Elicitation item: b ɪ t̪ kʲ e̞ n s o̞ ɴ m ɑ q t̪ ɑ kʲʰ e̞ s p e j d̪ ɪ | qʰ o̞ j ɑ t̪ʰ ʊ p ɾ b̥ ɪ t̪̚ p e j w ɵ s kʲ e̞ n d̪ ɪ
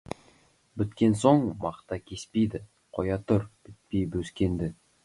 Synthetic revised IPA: b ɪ t̪ kʲ e̞ n s o̞ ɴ m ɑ q t̪ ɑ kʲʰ e̞ s p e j d̪ ɪ | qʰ o̞ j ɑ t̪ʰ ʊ ɾ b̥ ɪ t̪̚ p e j b ɵ s kʲ e̞ n d̪ ɪ